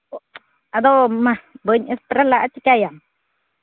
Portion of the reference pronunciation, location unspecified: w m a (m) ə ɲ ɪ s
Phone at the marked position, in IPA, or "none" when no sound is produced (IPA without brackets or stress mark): b